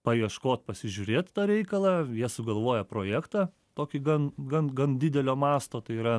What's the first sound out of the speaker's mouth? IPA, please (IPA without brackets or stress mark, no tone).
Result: p